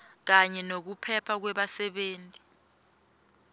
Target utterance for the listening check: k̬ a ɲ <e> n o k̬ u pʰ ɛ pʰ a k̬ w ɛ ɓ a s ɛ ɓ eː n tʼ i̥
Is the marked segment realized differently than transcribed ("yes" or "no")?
yes